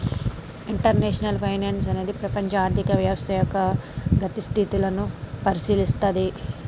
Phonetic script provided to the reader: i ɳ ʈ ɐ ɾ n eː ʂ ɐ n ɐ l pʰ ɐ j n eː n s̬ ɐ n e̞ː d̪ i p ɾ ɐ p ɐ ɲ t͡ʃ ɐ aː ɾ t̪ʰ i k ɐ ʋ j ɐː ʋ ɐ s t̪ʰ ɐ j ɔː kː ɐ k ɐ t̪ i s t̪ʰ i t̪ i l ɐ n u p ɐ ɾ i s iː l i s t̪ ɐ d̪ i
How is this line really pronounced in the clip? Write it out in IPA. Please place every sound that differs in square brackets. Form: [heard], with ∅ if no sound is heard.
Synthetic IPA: i ɳ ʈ ɐ ɾ n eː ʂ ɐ n ɐ l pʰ ɐ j n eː n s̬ ɐ n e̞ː d̪ i p ɾ ɐ p ɐ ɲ t͡ʃ ɐ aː ɾ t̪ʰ i k ɐ ʋ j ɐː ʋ ɐ s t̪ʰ ɐ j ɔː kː ɐ [ɡ] ɐ t̪ i s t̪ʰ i t̪ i l ɐ n u p ɐ ɾ i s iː l i s t̪ ɐ d̪ i